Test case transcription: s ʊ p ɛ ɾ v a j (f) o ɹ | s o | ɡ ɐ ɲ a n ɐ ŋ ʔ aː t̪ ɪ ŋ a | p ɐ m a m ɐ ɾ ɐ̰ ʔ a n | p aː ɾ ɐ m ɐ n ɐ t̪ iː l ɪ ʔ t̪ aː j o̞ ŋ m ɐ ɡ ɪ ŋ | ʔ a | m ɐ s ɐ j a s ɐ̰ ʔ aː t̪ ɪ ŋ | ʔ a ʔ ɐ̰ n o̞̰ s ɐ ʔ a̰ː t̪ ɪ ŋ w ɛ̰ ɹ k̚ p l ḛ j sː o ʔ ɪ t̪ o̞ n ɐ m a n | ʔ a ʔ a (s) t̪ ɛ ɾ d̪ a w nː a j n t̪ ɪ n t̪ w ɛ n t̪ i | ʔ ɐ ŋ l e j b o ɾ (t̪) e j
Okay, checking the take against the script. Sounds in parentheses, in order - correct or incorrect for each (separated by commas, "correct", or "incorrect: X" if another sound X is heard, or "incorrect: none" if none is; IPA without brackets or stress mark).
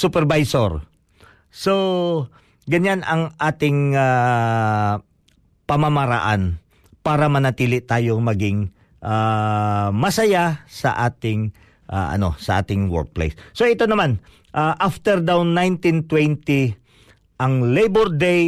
incorrect: s, incorrect: f, incorrect: d̪